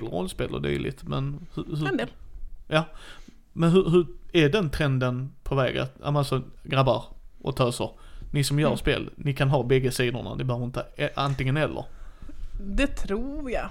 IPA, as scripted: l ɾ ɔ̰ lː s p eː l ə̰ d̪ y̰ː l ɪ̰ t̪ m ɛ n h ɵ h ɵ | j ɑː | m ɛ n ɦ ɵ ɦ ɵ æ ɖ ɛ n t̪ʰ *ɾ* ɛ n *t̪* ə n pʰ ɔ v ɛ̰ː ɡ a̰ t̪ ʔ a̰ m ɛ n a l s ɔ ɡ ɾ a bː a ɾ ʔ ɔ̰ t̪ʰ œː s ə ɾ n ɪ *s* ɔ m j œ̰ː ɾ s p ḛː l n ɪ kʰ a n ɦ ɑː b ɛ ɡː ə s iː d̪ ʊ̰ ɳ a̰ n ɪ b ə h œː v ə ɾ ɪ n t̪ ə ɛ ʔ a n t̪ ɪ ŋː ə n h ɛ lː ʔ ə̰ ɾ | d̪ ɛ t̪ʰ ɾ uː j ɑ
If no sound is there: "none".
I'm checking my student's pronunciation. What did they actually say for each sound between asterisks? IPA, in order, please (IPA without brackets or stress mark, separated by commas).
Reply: ɾ, d̪, s